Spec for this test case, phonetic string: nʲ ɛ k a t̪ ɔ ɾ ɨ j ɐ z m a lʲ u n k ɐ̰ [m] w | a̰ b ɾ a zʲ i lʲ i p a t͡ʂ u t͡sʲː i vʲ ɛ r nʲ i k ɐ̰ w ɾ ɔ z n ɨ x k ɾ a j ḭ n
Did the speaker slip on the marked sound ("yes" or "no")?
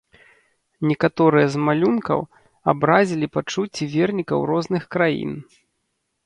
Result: yes